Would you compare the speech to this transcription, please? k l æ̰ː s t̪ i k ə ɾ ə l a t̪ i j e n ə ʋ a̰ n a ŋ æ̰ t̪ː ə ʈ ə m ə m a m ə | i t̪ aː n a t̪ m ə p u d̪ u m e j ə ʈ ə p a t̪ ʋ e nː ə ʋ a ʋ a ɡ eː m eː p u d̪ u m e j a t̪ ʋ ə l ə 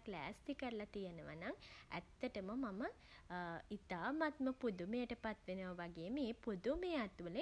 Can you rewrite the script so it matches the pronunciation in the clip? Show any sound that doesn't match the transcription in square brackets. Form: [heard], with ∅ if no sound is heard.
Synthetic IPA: k l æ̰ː s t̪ i k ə ɾ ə l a t̪ i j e n ə ʋ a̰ n a ŋ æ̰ t̪ː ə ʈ ə m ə m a m ə | i t̪ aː [m] a t̪ m ə p u d̪ u m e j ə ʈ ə p a t̪ ʋ e [n] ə ʋ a ʋ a ɡ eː m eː p u d̪ u m e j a t̪ ʋ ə l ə